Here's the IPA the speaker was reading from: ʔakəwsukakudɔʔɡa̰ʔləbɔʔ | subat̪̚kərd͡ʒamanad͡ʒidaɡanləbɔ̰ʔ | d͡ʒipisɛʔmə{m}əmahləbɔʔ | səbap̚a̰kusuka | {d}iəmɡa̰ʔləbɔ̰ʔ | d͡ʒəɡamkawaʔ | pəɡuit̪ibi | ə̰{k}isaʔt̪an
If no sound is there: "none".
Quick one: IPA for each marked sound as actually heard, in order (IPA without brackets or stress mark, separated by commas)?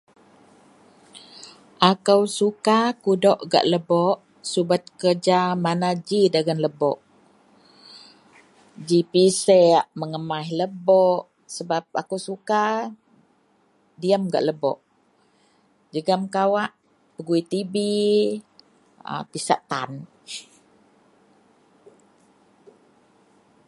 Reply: ŋ, d, p